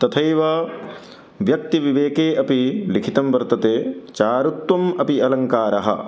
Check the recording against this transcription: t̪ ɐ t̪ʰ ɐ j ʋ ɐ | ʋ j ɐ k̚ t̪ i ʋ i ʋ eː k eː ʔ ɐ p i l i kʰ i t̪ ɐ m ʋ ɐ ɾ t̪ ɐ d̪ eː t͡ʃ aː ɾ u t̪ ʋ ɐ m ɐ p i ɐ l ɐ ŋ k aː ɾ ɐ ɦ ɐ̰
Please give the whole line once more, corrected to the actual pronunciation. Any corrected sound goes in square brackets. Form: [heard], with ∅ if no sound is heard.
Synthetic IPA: t̪ ɐ t̪ʰ ɐ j ʋ ɐ | ʋ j ɐ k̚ t̪ i ʋ i ʋ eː k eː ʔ ɐ p i l i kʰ i t̪ ɐ m ʋ ɐ ɾ t̪ ɐ [t̪] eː t͡ʃ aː ɾ u t̪ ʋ ɐ m ɐ p i ɐ l ɐ ŋ k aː ɾ ɐ ɦ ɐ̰